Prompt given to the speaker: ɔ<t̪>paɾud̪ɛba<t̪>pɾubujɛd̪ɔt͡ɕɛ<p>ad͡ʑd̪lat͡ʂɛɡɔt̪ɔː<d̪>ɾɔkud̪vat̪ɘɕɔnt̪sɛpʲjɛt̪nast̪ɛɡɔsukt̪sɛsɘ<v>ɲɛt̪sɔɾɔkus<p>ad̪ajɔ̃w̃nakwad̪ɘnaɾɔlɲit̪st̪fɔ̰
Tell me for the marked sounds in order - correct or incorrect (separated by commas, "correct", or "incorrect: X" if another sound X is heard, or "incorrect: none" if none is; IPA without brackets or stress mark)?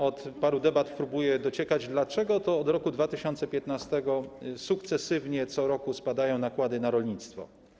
correct, correct, incorrect: k, correct, correct, correct